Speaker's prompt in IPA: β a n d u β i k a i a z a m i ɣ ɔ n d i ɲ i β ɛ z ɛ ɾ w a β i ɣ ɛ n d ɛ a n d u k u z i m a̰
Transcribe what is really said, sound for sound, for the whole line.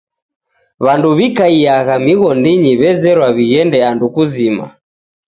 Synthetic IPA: β a n d u β i k a i a ɣ a m i ɣ ɔ n d i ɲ i β ɛ z ɛ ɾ w a β i ɣ ɛ n d ɛ a n d u k u z i m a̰